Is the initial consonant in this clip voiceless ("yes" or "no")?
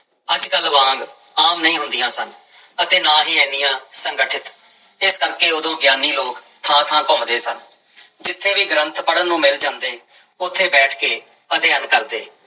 no